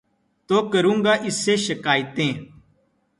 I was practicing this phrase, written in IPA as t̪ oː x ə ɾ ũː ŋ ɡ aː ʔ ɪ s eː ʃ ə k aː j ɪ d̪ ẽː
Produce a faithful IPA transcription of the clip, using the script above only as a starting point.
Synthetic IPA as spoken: t̪ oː k ə ɾ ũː ŋ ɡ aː ʔ ɪ s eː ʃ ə k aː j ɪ t̪ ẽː